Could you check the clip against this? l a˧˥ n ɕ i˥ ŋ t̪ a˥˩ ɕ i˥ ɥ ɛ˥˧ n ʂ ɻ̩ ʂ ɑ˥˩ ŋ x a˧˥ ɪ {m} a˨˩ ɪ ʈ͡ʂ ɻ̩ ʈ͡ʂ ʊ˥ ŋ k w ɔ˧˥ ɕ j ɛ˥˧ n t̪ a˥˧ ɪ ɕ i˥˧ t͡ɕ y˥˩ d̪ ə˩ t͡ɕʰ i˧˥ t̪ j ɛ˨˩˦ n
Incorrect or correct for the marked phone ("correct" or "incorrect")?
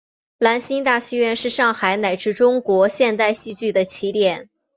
incorrect